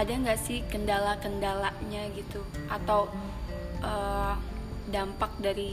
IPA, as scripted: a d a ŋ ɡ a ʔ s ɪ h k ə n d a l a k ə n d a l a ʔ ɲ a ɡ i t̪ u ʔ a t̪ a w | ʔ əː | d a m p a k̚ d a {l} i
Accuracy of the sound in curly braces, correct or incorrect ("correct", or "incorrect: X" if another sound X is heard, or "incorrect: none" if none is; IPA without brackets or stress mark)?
incorrect: ɾ